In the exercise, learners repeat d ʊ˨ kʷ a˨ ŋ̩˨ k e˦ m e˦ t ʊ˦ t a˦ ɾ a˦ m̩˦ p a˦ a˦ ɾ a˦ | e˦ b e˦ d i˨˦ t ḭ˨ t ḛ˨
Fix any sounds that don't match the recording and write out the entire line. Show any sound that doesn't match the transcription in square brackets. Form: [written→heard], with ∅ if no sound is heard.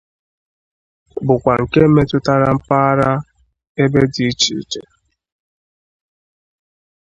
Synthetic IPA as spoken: [d→b] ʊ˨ kʷ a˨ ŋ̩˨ k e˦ m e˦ t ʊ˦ t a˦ ɾ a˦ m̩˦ p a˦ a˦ ɾ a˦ | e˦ b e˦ d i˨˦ [t→t͡ʃ] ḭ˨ [t→t͡ʃ] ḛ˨

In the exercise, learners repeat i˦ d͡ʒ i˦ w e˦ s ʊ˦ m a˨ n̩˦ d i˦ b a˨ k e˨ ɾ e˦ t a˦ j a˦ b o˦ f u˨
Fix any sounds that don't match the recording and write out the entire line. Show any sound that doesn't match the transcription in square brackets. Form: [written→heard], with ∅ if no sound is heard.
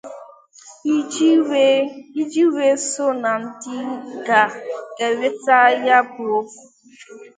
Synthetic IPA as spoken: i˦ d͡ʒ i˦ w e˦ s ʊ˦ [m→n] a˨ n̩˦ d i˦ [b→ɡ] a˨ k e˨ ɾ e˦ t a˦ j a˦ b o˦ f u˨

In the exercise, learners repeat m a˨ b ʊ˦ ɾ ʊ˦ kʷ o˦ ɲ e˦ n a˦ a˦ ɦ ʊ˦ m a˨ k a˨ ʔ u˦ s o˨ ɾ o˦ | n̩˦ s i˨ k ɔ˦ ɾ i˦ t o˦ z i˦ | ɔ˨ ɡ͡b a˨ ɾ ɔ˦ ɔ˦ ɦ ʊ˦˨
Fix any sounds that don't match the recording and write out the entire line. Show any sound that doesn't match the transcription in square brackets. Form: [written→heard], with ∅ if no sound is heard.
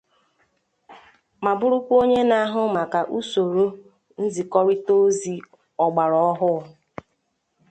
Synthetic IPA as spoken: m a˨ b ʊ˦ ɾ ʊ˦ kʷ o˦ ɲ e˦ n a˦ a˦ ɦ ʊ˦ m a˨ k a˨ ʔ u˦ s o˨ ɾ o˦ | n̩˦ [s→z] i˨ k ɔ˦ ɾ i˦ t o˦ z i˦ | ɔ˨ ɡ͡b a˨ ɾ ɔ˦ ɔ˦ ɦ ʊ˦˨

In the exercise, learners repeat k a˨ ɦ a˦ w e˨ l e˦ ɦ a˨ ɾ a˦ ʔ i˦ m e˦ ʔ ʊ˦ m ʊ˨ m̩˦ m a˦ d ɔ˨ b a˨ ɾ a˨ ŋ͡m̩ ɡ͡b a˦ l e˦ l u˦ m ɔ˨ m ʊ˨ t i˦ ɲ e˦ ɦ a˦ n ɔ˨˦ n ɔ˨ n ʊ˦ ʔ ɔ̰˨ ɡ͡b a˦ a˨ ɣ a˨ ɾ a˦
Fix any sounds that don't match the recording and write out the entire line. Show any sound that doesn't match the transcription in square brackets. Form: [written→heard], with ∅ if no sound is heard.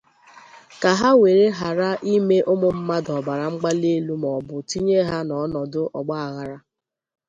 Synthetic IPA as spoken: k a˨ ɦ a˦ w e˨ [l→ɾ] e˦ ɦ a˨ ɾ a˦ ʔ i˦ m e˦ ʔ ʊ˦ m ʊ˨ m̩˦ m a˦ d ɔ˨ b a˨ ɾ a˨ ŋ͡m̩ ɡ͡b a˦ l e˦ l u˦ m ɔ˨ [m→b] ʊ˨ t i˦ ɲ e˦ ɦ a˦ n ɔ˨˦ n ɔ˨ [n→d] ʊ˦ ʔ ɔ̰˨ ɡ͡b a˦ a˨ ɣ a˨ ɾ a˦

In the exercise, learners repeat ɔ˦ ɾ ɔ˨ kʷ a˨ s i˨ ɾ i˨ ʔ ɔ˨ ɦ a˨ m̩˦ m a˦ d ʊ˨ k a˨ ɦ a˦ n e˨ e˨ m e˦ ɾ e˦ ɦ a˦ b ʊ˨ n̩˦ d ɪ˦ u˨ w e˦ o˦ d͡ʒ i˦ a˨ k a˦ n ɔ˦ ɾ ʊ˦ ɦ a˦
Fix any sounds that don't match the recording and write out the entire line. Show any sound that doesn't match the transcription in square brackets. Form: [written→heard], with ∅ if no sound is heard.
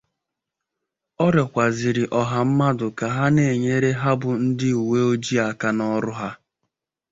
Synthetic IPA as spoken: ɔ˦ ɾ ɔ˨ kʷ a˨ [s→z] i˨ ɾ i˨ ʔ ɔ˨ ɦ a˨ m̩˦ m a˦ d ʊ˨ k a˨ ɦ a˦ n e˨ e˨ [m→ɲ] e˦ ɾ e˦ ɦ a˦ b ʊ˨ n̩˦ d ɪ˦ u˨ w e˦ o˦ d͡ʒ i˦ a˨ k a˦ n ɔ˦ ɾ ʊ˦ ɦ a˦

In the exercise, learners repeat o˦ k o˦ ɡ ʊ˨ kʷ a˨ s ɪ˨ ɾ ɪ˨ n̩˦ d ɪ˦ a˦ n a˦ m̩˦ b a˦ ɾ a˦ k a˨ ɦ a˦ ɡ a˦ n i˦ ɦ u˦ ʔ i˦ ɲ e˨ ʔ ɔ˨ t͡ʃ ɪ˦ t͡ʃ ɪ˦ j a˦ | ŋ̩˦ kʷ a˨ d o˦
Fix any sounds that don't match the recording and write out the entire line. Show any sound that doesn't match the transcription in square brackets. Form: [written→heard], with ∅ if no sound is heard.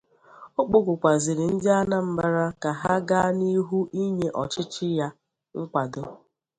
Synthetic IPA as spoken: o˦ [k→k͡p] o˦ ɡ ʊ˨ kʷ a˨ [s→z] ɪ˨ ɾ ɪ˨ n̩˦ d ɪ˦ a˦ n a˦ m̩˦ b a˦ ɾ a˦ k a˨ ɦ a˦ ɡ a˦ n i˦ ɦ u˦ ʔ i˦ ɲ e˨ ʔ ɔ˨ t͡ʃ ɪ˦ t͡ʃ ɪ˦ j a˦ | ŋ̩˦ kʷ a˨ d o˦

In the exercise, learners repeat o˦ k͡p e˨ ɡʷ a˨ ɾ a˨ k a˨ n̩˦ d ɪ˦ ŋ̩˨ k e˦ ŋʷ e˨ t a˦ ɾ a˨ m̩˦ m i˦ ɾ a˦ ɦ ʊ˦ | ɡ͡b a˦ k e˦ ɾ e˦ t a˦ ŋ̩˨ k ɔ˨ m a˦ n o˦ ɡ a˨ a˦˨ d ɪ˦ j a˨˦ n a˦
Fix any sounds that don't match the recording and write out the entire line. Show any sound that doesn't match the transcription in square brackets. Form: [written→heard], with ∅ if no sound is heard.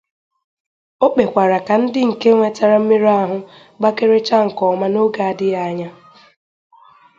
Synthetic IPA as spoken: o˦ k͡p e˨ [ɡʷ→kʷ] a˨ ɾ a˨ k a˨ n̩˦ d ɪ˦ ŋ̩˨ k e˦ ŋʷ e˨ t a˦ ɾ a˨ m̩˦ m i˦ ɾ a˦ ɦ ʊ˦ | ɡ͡b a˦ k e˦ ɾ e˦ [t→t͡ʃ] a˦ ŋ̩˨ k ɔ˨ m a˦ n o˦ ɡ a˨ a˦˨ d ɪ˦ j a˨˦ [n→ɲ] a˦

